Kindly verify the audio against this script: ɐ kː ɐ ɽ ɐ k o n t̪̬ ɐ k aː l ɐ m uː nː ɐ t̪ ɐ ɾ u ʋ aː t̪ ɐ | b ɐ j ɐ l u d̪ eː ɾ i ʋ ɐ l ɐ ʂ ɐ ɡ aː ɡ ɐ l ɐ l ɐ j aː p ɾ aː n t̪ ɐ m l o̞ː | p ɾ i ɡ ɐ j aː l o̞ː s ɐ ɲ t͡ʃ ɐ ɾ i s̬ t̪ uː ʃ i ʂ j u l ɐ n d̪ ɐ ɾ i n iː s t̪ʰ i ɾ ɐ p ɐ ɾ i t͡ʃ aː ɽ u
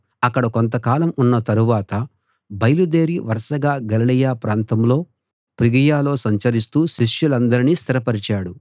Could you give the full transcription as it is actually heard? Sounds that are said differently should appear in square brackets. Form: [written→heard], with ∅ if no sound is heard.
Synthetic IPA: ɐ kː ɐ ɽ ɐ k o n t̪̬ ɐ k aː l ɐ m [uː→u] nː ɐ t̪ ɐ ɾ u ʋ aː t̪ ɐ | b ɐ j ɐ l u d̪ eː ɾ i ʋ ɐ [l→ɾ] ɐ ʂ ɐ ɡ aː ɡ ɐ l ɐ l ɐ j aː p ɾ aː n t̪ ɐ m l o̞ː | p ɾ i ɡ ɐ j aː l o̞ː s ɐ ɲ t͡ʃ ɐ ɾ i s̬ t̪ uː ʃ i ʂ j u l ɐ n d̪ ɐ ɾ i n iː s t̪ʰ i ɾ ɐ p ɐ ɾ i t͡ʃ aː ɽ u

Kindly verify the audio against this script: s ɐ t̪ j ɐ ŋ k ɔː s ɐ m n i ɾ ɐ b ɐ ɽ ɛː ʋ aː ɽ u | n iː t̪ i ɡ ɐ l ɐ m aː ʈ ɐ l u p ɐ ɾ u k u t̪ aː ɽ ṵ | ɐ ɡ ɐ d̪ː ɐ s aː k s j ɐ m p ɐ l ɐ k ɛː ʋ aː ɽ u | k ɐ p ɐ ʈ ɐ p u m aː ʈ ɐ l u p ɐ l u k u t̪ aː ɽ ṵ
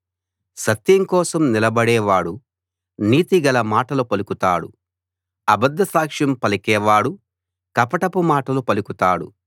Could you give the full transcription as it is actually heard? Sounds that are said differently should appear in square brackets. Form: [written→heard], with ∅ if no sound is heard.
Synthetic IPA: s ɐ t̪ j ɐ ŋ k ɔː s ɐ m n i [ɾ→l] ɐ b ɐ ɽ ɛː ʋ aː ɽ u | n iː t̪ i ɡ ɐ l ɐ m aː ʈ ɐ l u p ɐ [ɾ→l] u k u t̪ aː ɽ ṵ | ɐ [ɡ→b] ɐ d̪ː ɐ s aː k [s→ʂ] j ɐ m p ɐ l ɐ k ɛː ʋ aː ɽ u | k ɐ p ɐ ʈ ɐ p u m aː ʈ ɐ l u p ɐ l u k u t̪ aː ɽ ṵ

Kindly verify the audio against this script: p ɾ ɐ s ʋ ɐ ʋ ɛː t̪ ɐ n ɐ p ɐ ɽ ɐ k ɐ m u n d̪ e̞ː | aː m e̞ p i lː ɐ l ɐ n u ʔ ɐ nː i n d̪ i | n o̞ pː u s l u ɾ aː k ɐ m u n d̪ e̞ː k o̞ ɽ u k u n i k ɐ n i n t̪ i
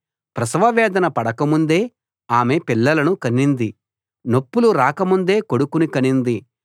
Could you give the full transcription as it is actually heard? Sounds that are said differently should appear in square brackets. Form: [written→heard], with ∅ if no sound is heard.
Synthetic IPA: p ɾ ɐ s ʋ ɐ ʋ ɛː [t̪→d̪] ɐ n ɐ p ɐ ɽ ɐ k ɐ m u n d̪ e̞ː | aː m e̞ p i lː ɐ l ɐ n u [ʔ→k] ɐ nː i n d̪ i | n o̞ pː u [s→∅] l u ɾ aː k ɐ m u n d̪ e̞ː k o̞ ɽ u k u n i k ɐ n i n [t̪→d̪] i

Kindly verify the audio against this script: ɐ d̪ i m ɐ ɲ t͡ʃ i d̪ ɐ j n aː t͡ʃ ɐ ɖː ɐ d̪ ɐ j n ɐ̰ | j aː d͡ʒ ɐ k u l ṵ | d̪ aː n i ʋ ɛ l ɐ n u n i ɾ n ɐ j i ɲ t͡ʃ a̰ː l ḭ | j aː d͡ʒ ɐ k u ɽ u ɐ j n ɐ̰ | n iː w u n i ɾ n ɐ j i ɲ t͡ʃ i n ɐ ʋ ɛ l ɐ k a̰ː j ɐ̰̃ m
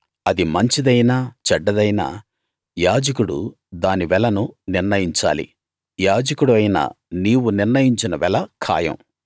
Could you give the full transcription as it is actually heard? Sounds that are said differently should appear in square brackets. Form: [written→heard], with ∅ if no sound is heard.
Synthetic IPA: ɐ d̪ i m ɐ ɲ t͡ʃ i d̪ ɐ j n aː t͡ʃ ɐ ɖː ɐ d̪ ɐ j n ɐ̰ | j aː d͡ʒ ɐ k u [l→ɽ] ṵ | d̪ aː n i ʋ ɛ l ɐ n u n i ɾ n ɐ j i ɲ t͡ʃ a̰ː l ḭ | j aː d͡ʒ ɐ k u ɽ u ɐ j n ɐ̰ | n iː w u n i ɾ n ɐ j i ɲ t͡ʃ i n ɐ ʋ ɛ l ɐ [k→kʰ] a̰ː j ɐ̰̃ m

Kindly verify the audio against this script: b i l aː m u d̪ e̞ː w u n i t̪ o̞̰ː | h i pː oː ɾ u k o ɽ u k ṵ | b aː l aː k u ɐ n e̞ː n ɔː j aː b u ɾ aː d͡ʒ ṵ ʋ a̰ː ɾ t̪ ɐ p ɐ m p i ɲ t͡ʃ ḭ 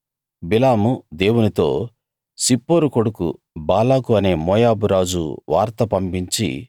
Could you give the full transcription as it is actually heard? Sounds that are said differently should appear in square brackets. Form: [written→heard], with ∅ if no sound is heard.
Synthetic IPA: b i l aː m u d̪ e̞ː w u n i t̪ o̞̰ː | [h→s] i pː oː ɾ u k o ɽ u k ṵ | b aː l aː k u ɐ n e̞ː [n→m] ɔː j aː b u ɾ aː d͡ʒ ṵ ʋ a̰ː ɾ t̪ ɐ p ɐ m p i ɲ t͡ʃ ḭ

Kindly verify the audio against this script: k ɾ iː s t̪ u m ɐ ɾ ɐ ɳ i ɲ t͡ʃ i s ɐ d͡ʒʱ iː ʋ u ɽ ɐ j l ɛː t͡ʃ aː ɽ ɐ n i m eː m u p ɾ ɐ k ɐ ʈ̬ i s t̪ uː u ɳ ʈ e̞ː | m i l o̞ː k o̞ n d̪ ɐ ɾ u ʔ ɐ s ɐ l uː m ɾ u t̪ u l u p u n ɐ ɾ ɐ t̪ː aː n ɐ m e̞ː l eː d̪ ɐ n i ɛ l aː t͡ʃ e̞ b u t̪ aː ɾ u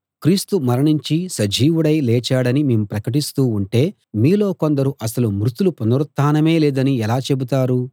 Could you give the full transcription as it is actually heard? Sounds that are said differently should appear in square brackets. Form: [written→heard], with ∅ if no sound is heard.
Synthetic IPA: k ɾ iː s t̪ u m ɐ ɾ ɐ ɳ i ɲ t͡ʃ i s ɐ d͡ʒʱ iː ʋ u ɽ ɐ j l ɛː t͡ʃ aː ɽ ɐ n i m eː m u p ɾ ɐ k ɐ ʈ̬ i s t̪ uː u ɳ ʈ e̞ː | m [i→iː] l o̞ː k o̞ n d̪ ɐ ɾ u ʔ ɐ s ɐ l [uː→u] m ɾ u t̪ u l u p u n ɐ ɾ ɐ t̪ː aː n ɐ m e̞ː l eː d̪ ɐ n i ɛ l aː t͡ʃ e̞ b u t̪ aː ɾ u

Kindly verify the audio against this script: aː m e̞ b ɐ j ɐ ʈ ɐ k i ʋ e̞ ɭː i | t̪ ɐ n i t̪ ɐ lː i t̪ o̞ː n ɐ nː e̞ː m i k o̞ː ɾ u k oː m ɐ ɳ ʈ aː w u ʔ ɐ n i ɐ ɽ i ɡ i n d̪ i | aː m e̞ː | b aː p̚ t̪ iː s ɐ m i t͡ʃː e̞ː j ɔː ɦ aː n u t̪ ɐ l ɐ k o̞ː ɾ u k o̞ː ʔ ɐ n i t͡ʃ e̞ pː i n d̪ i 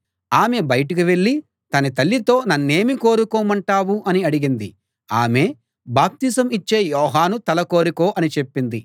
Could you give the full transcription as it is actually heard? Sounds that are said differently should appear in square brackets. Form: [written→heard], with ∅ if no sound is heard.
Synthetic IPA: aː m e̞ b ɐ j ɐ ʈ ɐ k i ʋ e̞ ɭː i | t̪ ɐ n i t̪ ɐ lː i t̪ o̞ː n ɐ nː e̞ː m i k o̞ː ɾ u k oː m ɐ ɳ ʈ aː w u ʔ ɐ n i ɐ ɽ i ɡ i n d̪ i | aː m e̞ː | b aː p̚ t̪ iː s ɐ m i t͡ʃː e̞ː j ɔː ɦ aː n u t̪ ɐ l ɐ k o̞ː ɾ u k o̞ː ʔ ɐ n i t͡ʃ e̞ pː i n d̪ i

